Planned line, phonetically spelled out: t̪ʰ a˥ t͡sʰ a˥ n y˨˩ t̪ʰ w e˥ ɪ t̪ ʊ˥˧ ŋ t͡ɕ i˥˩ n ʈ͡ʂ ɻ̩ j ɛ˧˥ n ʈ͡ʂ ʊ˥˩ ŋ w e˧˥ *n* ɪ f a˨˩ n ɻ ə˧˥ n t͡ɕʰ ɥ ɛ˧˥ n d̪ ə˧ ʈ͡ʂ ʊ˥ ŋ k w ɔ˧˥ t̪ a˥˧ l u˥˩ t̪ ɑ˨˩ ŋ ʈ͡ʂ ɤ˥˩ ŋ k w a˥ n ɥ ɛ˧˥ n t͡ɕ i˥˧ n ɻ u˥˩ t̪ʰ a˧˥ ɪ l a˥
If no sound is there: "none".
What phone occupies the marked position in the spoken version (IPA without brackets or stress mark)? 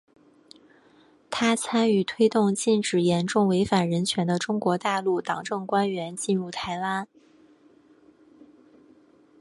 none